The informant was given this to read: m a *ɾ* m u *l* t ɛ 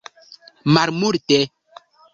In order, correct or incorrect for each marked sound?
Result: correct, incorrect

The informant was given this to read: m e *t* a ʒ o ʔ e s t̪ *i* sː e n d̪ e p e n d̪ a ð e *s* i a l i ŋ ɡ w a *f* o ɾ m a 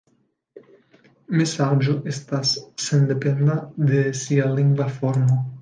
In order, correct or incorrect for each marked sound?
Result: incorrect, incorrect, correct, correct

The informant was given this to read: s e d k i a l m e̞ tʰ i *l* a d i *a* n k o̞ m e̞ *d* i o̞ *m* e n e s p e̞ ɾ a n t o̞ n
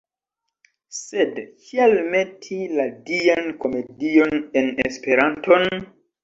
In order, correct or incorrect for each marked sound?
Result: correct, correct, correct, incorrect

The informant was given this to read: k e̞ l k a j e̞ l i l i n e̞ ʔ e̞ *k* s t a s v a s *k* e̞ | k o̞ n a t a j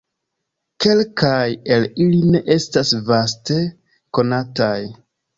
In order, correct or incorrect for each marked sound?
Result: incorrect, incorrect

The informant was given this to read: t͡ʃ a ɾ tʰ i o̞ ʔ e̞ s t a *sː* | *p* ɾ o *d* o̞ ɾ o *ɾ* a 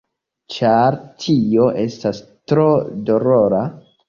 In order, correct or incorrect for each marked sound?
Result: incorrect, incorrect, correct, correct

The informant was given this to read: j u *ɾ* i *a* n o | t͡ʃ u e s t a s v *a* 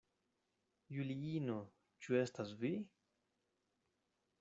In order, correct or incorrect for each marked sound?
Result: incorrect, incorrect, incorrect

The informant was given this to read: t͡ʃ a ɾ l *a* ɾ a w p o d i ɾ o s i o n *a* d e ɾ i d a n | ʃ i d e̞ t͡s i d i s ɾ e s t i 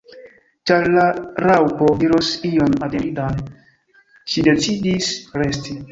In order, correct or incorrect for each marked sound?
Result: correct, correct

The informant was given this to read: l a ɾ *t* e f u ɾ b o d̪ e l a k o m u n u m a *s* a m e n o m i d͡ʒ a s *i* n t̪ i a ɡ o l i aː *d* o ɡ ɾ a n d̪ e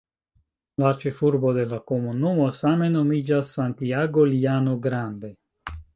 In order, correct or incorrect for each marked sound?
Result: incorrect, correct, incorrect, incorrect

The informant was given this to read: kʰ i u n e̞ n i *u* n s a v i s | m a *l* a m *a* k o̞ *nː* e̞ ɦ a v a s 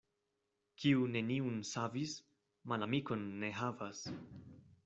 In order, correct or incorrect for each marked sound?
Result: correct, correct, incorrect, correct

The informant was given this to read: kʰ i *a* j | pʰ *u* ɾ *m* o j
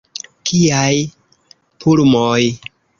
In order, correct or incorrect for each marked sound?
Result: correct, correct, correct

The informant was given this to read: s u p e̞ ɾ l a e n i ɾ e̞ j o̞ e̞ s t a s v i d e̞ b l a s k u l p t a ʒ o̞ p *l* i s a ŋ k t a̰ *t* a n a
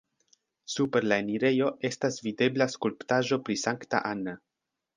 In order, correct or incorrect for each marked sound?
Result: incorrect, incorrect

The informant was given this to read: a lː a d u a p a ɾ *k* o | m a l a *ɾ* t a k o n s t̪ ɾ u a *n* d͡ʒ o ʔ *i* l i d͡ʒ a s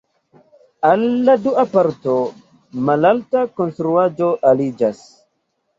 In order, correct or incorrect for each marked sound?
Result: incorrect, incorrect, incorrect, incorrect

